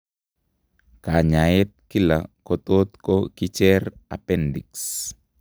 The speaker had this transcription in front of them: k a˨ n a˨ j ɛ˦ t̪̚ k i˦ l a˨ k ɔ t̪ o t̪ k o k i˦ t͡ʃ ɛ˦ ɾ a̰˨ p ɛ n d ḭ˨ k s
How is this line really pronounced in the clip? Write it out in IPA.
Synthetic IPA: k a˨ ɲ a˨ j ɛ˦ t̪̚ k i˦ l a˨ k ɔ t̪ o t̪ k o k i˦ t͡ʃ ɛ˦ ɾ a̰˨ p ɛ n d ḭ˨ k s